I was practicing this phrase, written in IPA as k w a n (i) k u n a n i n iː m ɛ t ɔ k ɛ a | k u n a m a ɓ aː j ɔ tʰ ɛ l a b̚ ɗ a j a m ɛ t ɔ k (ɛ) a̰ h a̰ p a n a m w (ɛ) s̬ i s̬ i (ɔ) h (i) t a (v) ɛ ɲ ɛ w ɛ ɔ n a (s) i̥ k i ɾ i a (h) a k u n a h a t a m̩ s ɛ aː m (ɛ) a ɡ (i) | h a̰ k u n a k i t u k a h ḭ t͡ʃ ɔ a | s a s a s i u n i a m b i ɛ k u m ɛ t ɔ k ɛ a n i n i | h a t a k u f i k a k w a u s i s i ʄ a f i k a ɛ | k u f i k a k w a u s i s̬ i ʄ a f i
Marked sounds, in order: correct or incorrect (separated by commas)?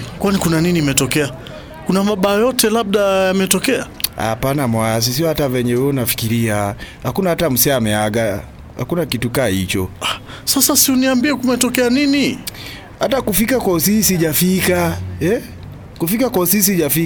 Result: correct, correct, incorrect, correct, incorrect, correct, incorrect, correct, correct, incorrect